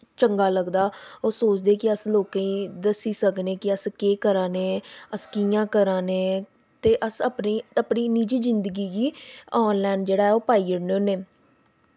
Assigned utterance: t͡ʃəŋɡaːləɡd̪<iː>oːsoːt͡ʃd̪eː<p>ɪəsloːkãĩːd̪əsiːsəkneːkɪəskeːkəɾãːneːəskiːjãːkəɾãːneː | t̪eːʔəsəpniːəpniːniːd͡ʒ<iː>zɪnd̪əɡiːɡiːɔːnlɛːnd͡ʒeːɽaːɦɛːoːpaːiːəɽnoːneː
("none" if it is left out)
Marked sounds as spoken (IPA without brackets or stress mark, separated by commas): aː, k, iː